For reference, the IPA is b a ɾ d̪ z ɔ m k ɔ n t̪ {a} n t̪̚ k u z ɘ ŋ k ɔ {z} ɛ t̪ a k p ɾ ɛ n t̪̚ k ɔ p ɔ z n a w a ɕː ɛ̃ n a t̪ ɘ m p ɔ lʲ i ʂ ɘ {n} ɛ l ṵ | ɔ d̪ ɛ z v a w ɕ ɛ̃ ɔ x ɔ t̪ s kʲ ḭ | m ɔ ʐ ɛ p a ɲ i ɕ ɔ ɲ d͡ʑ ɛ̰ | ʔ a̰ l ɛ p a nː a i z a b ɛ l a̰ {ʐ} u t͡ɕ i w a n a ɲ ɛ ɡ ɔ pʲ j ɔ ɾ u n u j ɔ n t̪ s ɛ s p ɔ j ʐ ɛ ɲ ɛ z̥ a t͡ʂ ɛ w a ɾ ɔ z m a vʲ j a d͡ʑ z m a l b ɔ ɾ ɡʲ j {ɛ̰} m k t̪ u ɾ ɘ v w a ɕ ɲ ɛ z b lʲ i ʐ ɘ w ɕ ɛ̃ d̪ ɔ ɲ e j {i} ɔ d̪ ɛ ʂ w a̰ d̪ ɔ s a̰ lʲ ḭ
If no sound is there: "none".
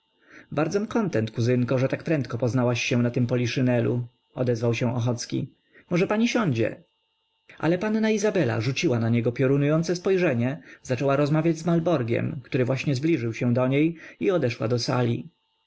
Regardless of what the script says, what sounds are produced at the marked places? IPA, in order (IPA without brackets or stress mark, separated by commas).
ɛ, ʐ, n, ʐ, ɛ̰, i